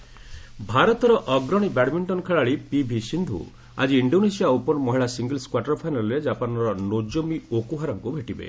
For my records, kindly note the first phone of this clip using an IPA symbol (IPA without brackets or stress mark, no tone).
bʱ